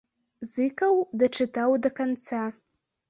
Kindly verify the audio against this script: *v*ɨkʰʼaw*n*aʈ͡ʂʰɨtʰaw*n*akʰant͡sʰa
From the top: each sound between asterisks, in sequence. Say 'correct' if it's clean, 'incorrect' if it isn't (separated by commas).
incorrect, incorrect, incorrect